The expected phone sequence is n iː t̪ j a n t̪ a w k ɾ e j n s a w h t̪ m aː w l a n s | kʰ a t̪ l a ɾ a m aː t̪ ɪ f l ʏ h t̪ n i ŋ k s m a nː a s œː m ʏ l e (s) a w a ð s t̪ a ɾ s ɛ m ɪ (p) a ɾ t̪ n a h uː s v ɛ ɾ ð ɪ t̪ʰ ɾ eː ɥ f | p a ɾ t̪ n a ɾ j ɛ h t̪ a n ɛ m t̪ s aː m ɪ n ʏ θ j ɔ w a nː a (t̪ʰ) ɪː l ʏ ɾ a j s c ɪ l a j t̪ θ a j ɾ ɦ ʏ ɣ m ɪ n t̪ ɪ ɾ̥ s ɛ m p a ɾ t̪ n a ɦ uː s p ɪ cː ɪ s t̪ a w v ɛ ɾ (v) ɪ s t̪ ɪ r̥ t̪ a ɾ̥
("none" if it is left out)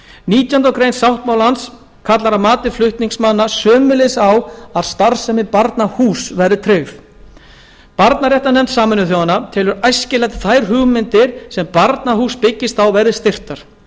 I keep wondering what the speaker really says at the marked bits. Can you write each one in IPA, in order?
s, p, t̪ʰ, ð

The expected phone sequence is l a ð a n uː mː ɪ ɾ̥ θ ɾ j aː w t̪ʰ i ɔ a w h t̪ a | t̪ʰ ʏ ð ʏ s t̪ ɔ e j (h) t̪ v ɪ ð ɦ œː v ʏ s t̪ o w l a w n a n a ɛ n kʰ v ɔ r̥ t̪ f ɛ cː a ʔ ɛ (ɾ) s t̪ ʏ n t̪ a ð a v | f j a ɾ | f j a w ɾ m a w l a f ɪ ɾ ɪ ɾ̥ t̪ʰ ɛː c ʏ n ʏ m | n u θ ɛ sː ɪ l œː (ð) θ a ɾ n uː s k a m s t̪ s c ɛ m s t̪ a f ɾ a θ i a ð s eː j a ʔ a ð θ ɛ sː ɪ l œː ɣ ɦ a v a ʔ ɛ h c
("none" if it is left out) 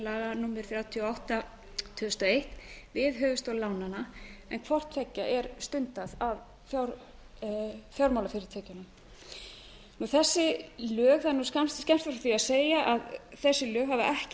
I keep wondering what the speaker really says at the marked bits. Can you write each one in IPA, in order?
h, ɾ, ɣ

